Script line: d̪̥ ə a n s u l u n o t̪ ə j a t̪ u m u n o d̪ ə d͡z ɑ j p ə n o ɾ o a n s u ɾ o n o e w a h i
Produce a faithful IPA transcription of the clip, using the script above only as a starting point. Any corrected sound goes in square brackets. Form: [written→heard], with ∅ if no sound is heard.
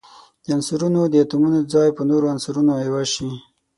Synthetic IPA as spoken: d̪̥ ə a n s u [l→ɾ] u n o [t̪→d̪] ə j a t̪ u m u n o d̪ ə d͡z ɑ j p ə n o ɾ o a n s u ɾ [o→u] n o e w a [h→ʃ] i